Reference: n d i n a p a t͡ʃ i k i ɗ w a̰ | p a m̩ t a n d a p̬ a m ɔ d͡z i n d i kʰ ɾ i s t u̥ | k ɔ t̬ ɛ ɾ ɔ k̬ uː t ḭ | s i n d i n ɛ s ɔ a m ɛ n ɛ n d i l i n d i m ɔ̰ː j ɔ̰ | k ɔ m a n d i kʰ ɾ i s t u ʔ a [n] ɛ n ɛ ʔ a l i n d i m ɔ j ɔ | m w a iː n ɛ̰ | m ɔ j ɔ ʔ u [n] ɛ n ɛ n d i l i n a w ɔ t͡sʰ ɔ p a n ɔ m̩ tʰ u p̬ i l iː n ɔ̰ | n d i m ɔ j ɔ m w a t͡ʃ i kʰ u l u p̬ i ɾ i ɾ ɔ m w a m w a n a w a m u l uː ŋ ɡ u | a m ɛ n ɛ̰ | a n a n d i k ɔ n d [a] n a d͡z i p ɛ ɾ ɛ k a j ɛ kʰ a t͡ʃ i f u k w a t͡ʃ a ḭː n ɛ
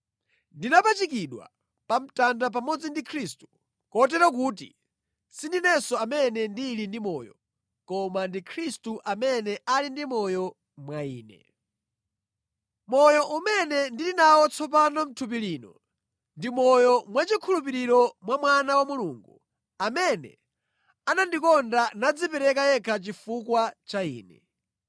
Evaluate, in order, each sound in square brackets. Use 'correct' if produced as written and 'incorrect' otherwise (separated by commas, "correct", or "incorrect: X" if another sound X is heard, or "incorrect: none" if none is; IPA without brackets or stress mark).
incorrect: m, incorrect: m, correct